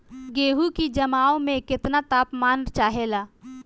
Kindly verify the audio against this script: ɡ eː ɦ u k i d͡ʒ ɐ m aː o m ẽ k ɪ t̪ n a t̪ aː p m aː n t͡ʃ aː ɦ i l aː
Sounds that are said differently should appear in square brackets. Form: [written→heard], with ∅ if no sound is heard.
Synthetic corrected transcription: ɡ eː ɦ u k i d͡ʒ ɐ m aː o m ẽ k ɪ t̪ n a t̪ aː p m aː n t͡ʃ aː ɦ [i→e] l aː